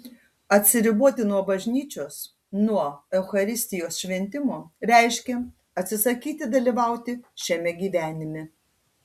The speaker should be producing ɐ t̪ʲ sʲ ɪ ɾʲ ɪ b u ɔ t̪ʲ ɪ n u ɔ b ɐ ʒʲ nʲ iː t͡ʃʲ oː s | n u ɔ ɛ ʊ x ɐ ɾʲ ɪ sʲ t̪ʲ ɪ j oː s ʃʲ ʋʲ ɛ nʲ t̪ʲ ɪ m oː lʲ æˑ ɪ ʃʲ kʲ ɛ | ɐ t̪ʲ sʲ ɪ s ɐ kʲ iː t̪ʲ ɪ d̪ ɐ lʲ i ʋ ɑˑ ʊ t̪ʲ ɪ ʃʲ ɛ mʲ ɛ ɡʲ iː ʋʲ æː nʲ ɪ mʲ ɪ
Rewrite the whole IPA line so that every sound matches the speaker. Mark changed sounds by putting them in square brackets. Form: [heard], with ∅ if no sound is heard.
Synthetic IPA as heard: ɐ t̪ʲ sʲ ɪ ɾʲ ɪ b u ɔ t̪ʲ ɪ n u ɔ b ɐ ʒʲ nʲ iː t͡ʃʲ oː s | n u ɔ ɛ ʊ x ɐ ɾʲ ɪ sʲ t̪ʲ ɪ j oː s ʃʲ ʋʲ ɛ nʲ t̪ʲ ɪ m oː [ɾʲ] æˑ ɪ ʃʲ kʲ ɛ | ɐ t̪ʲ sʲ ɪ s ɐ kʲ iː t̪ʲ ɪ d̪ ɐ lʲ i ʋ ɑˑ ʊ t̪ʲ ɪ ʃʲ ɛ mʲ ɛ ɡʲ iː ʋʲ æː nʲ ɪ mʲ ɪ